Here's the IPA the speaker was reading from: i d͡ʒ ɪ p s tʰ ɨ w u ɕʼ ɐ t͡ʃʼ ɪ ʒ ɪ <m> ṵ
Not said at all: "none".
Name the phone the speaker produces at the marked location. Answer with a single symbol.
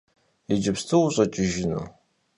n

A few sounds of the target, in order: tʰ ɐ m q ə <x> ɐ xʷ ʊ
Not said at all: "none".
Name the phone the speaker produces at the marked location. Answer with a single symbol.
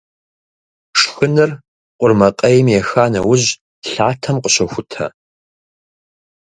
ɕ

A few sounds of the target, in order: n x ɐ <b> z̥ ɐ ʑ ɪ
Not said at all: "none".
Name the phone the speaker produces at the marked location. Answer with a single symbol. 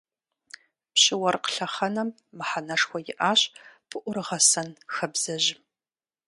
b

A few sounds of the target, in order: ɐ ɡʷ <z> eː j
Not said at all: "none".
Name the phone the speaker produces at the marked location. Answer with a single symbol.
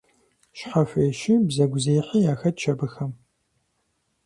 z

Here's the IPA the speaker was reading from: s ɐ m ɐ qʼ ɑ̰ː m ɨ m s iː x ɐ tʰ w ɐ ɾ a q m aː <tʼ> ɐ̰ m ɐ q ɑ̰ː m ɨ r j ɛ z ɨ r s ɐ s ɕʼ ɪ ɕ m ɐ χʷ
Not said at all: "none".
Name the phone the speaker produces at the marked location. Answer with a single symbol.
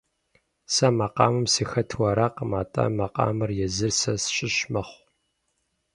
tʼ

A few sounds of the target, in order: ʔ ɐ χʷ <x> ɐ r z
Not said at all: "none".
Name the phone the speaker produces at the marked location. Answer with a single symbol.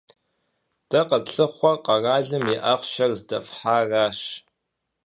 ʃ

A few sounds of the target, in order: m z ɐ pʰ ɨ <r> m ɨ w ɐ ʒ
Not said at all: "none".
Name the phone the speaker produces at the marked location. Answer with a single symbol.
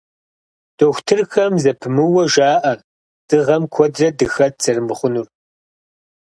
none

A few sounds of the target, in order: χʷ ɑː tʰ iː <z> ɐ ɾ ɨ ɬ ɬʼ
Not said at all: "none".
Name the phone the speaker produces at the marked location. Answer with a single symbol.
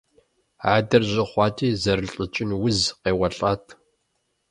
z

